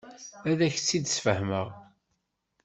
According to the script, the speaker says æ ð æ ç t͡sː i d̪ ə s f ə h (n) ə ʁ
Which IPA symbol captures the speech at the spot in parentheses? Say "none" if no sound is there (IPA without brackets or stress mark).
m